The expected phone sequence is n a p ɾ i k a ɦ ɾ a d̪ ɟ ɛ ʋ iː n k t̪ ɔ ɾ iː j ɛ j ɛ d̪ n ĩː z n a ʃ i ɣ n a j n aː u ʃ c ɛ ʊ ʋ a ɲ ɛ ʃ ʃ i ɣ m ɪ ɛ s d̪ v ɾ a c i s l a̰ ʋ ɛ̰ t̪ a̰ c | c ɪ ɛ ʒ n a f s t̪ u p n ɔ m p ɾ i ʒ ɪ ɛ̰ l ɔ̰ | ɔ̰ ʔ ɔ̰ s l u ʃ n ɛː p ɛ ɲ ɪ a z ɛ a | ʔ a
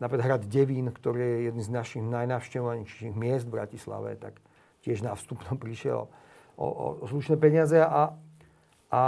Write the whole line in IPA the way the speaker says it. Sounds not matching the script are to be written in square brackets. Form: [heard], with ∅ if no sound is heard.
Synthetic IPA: n a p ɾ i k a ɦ ɾ a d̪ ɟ ɛ ʋ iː n k t̪ ɔ ɾ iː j ɛ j ɛ d̪ n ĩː z n a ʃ i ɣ n a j n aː [ʊ] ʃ c ɛ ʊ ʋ a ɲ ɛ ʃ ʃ i ɣ m ɪ ɛ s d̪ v ɾ a c i s l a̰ ʋ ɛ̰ t̪ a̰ [k] | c ɪ ɛ ʒ n a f s t̪ u p n ɔ m p ɾ i [ʃ] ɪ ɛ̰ l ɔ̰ | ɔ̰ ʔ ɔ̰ s l u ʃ n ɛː p ɛ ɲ ɪ a z ɛ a | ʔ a